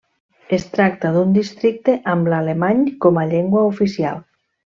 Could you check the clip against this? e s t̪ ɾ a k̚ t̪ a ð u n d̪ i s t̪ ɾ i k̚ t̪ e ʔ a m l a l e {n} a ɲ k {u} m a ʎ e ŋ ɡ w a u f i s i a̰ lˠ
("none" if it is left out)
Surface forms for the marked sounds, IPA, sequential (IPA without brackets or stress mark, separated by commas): m, ɔ